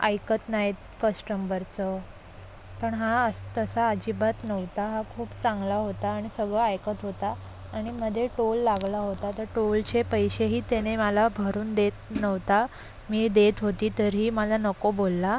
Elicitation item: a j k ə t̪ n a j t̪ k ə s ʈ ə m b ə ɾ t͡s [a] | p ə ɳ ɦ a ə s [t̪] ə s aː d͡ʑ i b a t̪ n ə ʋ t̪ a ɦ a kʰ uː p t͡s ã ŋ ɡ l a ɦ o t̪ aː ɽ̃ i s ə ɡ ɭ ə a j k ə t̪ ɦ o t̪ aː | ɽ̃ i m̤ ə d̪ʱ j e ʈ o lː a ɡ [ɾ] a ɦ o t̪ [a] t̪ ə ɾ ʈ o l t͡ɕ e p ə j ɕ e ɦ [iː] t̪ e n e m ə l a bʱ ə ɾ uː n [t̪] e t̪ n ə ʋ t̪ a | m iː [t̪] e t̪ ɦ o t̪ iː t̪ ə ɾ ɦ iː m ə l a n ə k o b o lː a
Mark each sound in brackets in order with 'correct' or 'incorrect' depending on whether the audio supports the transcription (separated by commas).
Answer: incorrect, correct, incorrect, correct, correct, incorrect, incorrect